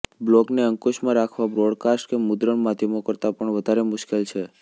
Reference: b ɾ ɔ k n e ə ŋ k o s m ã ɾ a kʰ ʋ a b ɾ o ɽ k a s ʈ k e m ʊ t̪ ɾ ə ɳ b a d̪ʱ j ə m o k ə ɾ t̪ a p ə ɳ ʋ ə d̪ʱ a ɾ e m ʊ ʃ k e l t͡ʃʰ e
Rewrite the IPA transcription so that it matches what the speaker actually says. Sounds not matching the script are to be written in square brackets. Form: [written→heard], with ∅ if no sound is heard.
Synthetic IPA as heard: b [ɾ→l] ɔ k n e ə ŋ k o [s→ʃ] m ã ɾ a kʰ ʋ a b ɾ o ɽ k a s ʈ k e m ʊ [t̪→d̪] ɾ ə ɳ [b→m] a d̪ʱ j ə m o k ə ɾ t̪ a p ə ɳ ʋ ə d̪ʱ a ɾ e m ʊ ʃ k e l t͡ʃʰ e